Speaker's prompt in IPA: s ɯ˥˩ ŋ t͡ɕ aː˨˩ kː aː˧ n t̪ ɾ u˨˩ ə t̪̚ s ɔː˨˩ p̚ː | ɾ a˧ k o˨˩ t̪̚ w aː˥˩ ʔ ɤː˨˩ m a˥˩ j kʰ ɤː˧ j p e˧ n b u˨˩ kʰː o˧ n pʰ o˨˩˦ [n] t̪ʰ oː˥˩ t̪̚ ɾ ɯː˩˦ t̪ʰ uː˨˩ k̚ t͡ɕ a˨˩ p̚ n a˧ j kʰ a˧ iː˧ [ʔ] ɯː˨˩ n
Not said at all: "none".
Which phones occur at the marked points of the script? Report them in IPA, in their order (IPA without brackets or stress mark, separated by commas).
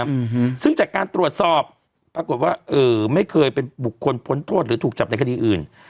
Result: n, ʔ